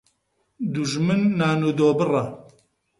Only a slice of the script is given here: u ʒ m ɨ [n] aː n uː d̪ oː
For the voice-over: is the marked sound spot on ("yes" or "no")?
no